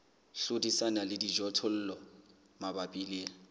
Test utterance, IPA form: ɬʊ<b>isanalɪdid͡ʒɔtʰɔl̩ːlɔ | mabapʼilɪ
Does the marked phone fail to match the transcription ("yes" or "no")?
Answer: yes